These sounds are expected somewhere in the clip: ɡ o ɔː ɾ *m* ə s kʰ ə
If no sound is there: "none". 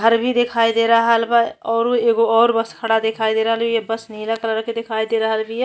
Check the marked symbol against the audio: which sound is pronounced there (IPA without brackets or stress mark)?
b